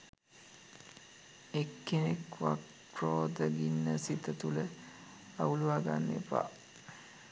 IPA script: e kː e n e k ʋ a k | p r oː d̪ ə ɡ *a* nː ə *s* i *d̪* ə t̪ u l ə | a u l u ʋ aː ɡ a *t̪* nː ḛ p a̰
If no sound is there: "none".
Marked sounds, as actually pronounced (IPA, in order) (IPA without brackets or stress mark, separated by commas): i, s, t̪, none